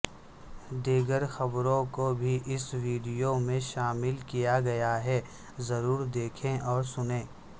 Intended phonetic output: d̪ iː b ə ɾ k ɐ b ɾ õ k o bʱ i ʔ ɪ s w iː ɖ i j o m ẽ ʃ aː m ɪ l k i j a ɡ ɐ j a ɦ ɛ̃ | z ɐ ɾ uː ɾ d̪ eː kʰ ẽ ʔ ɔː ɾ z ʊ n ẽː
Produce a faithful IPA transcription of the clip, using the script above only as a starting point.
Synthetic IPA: d̪ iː ɡ ə ɾ x ɐ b ɾ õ k o bʱ i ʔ ɪ s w iː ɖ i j o m ẽ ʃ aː m ɪ l k i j a ɡ ɐ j a ɦ ɛ | z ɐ ɾ uː ɾ d̪ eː kʰ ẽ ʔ ɔː ɾ s ʊ n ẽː